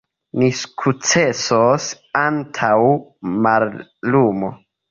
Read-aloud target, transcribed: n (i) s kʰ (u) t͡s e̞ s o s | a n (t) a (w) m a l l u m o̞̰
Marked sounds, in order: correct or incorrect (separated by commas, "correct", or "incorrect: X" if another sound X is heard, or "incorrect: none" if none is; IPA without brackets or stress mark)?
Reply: correct, correct, incorrect: tʰ, correct